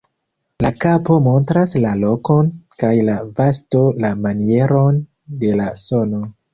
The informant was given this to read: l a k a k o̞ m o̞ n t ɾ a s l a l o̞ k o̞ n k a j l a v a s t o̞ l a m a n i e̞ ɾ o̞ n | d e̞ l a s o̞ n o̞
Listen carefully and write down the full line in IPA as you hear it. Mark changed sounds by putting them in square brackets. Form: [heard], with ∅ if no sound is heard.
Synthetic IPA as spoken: l a k a [p] o̞ m o̞ n t ɾ a s l a l o̞ k o̞ n k a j l a v a s t o̞ l a m a n i e̞ ɾ o̞ n | d e̞ l a s o̞ n o̞